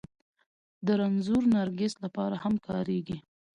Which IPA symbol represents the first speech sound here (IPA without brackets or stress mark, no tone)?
d̪